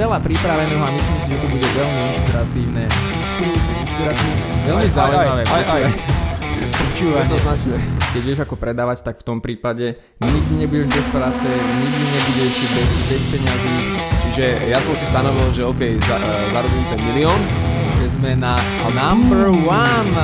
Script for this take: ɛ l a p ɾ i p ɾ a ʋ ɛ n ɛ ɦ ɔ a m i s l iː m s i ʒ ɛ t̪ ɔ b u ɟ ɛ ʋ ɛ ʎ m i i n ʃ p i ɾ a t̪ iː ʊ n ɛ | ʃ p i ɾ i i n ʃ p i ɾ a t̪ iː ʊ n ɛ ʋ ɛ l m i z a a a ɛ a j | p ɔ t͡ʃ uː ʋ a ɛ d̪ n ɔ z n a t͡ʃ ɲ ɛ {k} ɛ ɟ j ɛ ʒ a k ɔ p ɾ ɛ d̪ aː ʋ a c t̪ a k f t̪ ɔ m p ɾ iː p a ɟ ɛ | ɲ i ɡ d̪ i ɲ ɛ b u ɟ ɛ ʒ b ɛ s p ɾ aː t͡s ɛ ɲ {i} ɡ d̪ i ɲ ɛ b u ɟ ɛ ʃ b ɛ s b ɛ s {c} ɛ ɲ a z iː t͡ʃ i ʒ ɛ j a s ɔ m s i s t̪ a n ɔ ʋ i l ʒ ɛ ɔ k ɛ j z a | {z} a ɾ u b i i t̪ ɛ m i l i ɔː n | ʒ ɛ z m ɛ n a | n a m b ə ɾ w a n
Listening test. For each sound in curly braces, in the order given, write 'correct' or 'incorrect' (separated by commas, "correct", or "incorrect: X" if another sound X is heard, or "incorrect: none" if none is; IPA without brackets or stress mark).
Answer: correct, correct, incorrect: p, correct